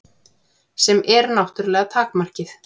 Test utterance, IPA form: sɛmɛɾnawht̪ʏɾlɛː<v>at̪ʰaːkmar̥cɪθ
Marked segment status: incorrect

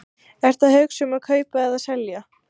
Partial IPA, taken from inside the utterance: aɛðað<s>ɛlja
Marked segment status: correct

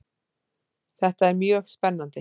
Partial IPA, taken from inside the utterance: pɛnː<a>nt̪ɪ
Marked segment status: correct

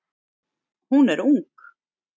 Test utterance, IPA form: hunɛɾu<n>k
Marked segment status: incorrect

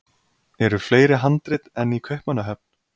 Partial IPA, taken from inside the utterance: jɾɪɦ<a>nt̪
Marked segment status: correct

